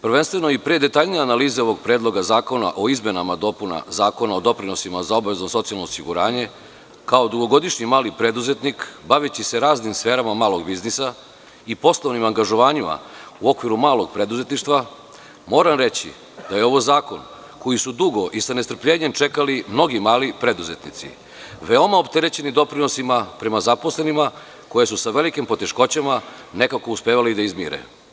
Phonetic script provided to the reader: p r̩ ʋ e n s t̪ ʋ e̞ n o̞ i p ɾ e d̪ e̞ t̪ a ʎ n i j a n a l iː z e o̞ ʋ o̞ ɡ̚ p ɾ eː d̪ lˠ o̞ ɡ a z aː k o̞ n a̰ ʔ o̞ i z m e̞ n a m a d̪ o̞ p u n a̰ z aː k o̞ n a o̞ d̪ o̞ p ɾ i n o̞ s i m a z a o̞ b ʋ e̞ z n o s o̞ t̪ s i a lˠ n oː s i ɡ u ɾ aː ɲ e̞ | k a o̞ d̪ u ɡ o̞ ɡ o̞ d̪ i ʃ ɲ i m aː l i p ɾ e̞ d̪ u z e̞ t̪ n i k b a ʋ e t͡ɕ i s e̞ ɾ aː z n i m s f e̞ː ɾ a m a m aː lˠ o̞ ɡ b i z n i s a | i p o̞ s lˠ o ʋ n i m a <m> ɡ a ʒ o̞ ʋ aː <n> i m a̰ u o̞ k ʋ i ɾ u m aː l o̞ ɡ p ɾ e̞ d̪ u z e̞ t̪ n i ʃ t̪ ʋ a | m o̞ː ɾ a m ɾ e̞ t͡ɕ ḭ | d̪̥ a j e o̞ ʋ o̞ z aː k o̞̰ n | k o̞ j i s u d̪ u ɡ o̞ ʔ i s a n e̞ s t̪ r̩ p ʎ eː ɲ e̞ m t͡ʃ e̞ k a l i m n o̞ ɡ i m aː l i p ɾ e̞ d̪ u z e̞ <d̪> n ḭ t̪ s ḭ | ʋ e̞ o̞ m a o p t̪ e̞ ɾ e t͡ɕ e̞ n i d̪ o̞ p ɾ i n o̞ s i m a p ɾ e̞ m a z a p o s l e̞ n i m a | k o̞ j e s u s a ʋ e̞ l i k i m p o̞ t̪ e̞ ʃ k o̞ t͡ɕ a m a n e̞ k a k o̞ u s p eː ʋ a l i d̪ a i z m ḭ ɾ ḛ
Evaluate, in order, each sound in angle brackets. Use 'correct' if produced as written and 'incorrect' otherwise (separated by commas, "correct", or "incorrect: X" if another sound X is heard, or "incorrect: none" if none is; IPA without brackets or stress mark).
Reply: incorrect: ŋ, incorrect: ɲ, incorrect: t̪